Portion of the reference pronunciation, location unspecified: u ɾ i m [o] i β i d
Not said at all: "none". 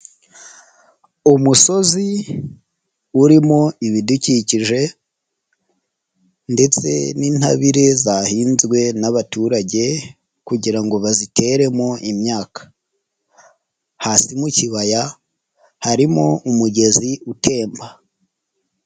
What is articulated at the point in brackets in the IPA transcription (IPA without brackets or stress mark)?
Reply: o